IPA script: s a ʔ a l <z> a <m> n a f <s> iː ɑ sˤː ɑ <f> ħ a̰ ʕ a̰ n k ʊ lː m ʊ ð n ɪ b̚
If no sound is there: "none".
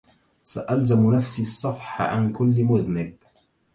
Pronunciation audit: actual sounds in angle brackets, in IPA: z, m, s, f

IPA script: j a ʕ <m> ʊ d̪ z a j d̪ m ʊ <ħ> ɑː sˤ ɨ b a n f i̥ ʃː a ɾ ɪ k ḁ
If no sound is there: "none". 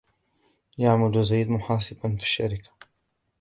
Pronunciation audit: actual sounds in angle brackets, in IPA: m, ħ

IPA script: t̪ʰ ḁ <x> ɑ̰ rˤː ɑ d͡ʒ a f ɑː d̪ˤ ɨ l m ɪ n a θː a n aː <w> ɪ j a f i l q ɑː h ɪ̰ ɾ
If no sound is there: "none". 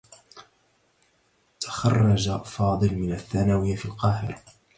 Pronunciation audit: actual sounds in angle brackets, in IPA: x, w

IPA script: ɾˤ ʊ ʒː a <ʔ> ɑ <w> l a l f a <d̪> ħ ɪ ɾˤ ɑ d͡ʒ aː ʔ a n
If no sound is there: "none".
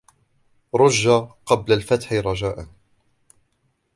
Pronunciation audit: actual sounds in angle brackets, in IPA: q, b, t̪

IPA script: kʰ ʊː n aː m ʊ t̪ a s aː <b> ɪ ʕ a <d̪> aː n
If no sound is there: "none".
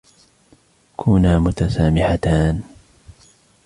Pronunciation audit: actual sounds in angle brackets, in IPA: m, t̪

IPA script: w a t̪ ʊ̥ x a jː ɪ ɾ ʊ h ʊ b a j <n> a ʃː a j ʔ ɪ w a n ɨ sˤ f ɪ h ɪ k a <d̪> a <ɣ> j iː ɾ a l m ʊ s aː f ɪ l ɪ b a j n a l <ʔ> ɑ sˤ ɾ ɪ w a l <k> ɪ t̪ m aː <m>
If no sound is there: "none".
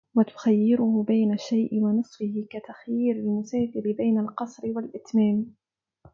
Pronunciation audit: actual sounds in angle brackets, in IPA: n, t̪, x, q, ʔ, m

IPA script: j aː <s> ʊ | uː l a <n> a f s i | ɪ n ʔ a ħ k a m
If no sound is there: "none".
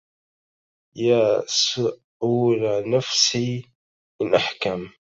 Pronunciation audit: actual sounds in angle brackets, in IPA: s, n

